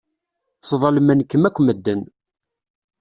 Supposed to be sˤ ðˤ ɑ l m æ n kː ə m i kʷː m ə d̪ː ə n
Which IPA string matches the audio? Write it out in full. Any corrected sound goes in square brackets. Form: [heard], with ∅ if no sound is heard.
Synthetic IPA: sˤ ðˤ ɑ l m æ n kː ə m [æ] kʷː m ə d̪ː ə n